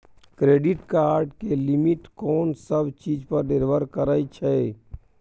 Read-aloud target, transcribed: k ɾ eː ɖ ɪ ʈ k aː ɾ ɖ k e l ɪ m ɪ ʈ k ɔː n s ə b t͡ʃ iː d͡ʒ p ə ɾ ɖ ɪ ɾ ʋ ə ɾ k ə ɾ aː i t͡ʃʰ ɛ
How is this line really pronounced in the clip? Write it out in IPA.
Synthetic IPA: k ɾ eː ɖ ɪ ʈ k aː ɾ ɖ k e l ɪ m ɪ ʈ k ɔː n s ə b t͡ʃ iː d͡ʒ p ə ɾ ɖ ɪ ɾ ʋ ə ɾ k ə ɾ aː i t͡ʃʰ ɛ